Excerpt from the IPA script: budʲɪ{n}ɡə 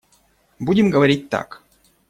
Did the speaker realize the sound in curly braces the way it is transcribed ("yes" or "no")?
no